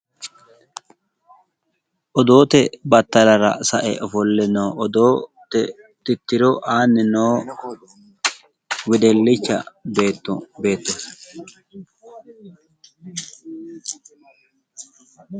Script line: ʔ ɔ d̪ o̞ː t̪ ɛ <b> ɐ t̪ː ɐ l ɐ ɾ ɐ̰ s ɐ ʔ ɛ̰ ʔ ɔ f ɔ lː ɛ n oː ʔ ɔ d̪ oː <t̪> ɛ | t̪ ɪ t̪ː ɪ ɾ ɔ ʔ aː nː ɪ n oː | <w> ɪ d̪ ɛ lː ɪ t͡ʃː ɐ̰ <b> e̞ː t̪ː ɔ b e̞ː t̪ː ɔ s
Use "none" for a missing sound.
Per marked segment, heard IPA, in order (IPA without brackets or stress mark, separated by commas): b, t̪, w, b